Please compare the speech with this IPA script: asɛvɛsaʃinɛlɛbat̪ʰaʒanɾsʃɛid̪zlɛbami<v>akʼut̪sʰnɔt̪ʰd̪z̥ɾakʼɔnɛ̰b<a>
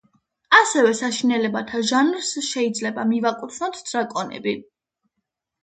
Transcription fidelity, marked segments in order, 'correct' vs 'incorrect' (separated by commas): correct, incorrect